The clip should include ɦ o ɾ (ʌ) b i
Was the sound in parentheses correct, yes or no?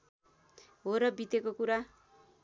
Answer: yes